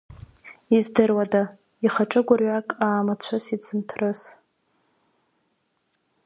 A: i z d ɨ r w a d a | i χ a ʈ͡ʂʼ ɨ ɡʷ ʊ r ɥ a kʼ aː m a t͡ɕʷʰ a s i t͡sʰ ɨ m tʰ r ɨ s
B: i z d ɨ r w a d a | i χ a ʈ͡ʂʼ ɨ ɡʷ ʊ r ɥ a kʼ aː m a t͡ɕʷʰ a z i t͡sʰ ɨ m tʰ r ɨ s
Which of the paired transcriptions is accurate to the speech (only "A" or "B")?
A